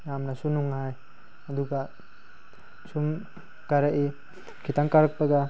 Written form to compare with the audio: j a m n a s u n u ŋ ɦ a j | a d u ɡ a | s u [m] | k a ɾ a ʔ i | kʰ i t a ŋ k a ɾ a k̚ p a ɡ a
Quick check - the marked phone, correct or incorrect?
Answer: correct